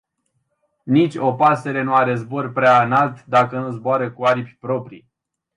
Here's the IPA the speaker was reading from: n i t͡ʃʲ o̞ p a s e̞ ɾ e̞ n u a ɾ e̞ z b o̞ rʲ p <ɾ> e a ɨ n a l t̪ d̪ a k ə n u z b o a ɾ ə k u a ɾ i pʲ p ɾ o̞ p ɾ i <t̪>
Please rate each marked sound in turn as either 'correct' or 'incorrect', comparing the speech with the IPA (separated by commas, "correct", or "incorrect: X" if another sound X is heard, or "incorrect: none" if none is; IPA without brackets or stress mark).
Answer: correct, incorrect: none